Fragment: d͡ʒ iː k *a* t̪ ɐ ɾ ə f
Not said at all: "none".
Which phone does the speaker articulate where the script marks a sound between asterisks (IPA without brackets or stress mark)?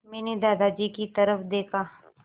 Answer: i